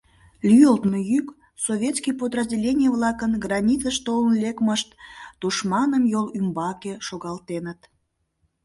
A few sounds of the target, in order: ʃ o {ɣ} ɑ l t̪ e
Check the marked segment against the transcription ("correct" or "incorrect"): correct